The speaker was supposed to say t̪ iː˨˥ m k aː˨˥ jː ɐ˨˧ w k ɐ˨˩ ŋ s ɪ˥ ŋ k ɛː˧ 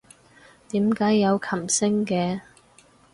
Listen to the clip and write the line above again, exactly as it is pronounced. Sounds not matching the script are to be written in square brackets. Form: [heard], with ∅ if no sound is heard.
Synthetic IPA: t̪ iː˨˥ m k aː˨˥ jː ɐ˨˧ w [kʰ] ɐ˨˩ [m] s ɪ˥ ŋ k ɛː˧